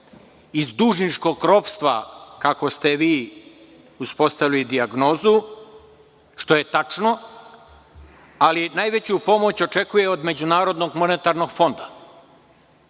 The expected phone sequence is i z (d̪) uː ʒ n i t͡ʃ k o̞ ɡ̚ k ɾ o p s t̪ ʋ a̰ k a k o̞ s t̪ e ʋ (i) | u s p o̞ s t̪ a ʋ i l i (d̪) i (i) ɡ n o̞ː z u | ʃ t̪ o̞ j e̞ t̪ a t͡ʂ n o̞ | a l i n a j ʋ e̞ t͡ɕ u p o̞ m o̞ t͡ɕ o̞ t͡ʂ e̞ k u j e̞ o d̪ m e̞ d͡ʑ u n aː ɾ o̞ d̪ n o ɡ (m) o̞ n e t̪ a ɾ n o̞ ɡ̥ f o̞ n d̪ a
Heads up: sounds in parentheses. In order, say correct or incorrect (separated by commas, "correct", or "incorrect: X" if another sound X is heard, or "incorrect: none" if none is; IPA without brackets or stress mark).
correct, incorrect: iː, correct, incorrect: a, correct